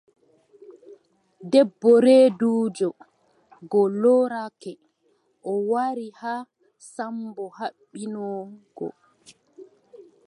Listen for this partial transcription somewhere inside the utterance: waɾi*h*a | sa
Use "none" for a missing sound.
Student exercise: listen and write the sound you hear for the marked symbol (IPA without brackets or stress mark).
h